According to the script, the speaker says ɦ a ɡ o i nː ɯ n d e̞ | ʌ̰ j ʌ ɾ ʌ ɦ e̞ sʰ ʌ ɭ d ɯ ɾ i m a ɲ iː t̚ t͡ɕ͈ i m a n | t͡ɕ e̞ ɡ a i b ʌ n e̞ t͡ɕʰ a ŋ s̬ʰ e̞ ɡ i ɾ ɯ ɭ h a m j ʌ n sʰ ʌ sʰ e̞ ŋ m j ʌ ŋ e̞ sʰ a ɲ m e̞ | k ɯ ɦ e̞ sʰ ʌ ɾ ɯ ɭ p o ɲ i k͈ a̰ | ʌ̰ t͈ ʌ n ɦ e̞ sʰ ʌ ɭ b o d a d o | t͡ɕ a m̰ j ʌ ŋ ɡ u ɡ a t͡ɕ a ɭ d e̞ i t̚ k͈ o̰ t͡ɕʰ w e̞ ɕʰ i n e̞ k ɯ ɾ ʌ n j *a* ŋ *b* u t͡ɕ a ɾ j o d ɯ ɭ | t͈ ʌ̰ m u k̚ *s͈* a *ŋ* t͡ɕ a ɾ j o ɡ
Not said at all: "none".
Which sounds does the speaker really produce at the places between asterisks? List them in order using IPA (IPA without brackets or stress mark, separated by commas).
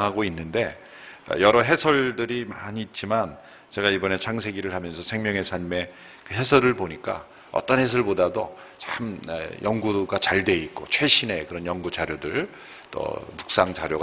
ʌ, ɡ, s͈, ŋ